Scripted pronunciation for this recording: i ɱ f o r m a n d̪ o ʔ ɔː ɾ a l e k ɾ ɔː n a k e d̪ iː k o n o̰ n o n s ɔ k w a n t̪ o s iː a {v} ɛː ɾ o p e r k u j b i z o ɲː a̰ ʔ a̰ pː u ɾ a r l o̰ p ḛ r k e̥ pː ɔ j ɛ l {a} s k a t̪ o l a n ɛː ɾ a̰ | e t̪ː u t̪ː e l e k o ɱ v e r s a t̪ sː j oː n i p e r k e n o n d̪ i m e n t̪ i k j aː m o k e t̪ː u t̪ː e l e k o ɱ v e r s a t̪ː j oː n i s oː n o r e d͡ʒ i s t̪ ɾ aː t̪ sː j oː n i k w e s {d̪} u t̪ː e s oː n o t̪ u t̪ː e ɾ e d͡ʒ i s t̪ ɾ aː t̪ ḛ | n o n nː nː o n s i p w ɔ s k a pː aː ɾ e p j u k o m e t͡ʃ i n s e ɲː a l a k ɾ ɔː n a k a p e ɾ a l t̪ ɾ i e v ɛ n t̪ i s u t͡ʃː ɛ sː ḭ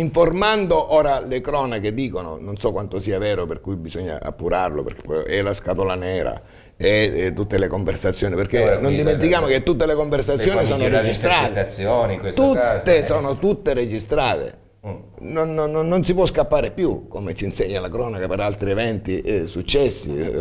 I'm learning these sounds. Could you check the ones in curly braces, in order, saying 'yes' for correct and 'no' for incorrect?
yes, yes, no

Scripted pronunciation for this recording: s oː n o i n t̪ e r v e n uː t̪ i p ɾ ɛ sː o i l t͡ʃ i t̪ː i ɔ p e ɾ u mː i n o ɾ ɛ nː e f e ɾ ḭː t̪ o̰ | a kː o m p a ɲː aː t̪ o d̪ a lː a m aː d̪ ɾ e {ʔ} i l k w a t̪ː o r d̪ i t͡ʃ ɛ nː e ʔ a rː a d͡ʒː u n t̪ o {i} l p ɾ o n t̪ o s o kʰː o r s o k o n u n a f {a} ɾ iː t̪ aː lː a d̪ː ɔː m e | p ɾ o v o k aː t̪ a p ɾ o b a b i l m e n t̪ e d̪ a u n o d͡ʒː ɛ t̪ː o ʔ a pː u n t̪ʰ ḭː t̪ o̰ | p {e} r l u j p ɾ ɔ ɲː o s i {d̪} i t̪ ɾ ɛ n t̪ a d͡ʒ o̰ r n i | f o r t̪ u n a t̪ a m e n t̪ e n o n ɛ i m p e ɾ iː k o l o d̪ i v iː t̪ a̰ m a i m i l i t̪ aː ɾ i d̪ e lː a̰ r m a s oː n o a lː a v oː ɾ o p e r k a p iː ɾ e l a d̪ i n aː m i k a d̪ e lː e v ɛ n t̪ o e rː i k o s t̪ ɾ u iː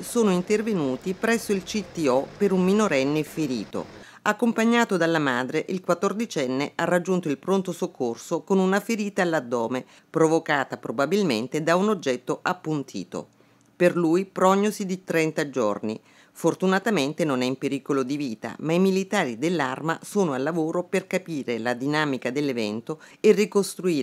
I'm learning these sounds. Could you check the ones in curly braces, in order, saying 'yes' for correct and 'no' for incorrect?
yes, yes, no, yes, yes

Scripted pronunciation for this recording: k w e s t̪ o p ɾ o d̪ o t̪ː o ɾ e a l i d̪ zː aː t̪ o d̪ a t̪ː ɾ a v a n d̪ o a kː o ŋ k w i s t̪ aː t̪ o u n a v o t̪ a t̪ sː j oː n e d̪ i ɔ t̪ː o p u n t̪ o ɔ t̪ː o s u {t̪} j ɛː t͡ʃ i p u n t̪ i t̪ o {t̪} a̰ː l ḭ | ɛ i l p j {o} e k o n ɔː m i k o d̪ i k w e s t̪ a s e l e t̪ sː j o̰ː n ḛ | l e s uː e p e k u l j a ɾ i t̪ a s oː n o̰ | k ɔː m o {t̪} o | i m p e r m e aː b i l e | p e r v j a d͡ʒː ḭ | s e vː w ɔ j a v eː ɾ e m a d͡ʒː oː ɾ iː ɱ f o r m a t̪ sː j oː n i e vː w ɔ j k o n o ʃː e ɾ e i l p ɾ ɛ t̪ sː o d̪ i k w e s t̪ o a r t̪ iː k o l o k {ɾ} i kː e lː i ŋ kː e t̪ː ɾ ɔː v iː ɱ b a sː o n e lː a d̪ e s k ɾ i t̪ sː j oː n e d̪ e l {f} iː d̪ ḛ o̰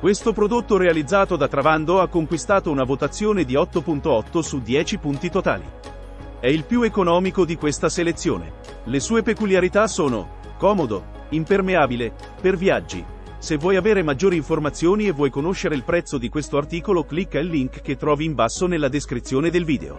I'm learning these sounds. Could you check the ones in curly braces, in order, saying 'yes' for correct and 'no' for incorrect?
no, yes, no, no, no, no

